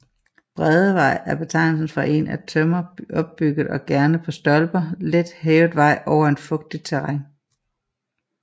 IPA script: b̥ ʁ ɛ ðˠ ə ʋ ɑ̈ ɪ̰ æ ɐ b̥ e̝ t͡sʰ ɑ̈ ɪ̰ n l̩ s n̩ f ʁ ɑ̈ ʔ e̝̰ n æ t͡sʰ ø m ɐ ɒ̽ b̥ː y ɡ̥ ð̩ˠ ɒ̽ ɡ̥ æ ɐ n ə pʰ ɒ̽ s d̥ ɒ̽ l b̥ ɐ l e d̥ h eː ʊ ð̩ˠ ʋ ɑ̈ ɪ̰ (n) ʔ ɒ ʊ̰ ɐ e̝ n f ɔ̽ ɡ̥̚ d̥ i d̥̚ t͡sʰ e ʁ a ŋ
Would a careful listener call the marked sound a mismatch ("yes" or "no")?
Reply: yes